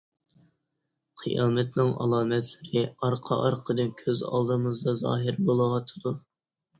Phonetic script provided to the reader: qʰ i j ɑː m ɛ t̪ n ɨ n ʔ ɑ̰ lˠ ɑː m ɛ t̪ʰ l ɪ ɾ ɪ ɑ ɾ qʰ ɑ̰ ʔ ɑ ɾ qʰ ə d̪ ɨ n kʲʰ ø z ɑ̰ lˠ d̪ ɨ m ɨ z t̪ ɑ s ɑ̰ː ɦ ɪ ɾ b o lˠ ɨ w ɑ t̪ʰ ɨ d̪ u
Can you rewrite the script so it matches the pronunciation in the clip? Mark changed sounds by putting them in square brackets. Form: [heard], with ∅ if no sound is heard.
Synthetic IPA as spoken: qʰ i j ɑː m ɛ t̪ n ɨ [ŋ] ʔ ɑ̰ lˠ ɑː m ɛ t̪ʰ l ɪ ɾ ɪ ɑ ɾ qʰ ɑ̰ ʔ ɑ ɾ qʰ ə d̪ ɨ n kʲʰ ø z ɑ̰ lˠ d̪ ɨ m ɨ z [d̪] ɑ [z] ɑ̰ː ɦ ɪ ɾ b o lˠ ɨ w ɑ t̪ʰ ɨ d̪ u

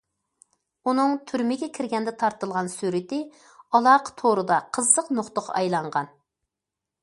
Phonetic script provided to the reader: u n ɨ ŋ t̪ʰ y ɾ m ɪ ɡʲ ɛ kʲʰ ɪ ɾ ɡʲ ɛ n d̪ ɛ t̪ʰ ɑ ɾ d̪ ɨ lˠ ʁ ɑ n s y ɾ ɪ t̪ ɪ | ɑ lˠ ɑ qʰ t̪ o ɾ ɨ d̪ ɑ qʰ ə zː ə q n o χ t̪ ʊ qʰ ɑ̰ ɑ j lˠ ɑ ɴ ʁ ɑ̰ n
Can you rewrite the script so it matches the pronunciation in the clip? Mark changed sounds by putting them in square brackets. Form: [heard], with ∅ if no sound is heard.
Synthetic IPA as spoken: u n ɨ ŋ t̪ʰ y ɾ m ɪ ɡʲ ɛ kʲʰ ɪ ɾ ɡʲ ɛ n d̪ ɛ t̪ʰ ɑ ɾ [t̪] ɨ lˠ ʁ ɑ n s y ɾ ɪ t̪ ɪ | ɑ lˠ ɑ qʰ [t̪ʰ] o ɾ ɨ d̪ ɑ qʰ ə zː ə q n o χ t̪ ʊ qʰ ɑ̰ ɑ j lˠ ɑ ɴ ʁ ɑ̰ n

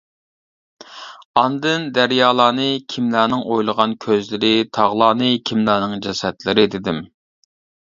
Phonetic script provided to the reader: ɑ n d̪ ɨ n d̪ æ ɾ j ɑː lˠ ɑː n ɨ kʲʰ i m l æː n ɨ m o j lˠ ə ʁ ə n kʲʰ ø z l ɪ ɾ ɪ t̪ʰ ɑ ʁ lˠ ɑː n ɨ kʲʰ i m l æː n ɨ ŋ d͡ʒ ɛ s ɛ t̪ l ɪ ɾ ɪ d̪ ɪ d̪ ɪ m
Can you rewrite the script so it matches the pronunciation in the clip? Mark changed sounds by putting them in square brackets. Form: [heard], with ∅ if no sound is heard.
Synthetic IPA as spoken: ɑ n d̪ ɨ n d̪ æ ɾ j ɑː lˠ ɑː n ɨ kʲʰ i m l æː n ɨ [ŋ] o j lˠ ə ʁ [ɑ] n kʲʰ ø z l ɪ ɾ ɪ t̪ʰ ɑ ʁ lˠ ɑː n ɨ kʲʰ i m l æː n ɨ ŋ d͡ʒ ɛ s ɛ t̪ l ɪ ɾ ɪ d̪ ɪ d̪ ɪ m

